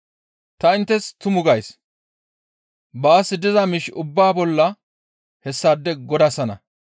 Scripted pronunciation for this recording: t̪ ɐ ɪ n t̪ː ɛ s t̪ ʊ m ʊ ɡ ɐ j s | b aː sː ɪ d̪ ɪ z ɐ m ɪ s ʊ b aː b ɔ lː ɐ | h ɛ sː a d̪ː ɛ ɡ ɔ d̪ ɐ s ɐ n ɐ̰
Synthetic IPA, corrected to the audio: t̪ ɐ ɪ n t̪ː ɛ s t̪ ʊ m ʊ ɡ ɐ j s | b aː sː ɪ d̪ ɪ z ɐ m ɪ ʃ ʊ bː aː b ɔ lː ɐ | h ɛ sː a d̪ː ɛ ɡ ɔ d̪ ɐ s ɐ n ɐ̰